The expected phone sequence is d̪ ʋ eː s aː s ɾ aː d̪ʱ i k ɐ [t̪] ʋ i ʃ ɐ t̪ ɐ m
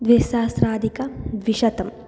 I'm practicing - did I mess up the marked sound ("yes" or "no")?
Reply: yes